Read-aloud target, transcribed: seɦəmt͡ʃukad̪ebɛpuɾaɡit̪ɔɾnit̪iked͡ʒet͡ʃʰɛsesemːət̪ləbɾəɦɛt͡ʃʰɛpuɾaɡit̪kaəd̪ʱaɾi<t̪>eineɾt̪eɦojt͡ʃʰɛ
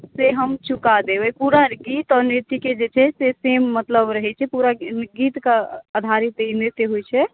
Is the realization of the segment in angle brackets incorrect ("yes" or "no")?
no